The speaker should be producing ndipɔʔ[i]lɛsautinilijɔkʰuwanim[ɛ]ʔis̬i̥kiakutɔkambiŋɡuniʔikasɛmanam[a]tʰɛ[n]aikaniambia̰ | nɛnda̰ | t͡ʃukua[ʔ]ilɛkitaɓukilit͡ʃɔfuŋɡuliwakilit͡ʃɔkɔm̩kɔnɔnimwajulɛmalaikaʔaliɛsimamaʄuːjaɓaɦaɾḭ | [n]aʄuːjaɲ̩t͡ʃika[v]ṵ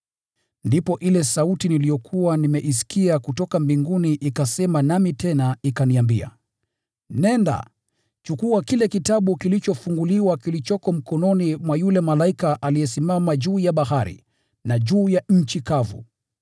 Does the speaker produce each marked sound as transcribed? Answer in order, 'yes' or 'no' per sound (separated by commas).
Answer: yes, yes, no, yes, no, yes, yes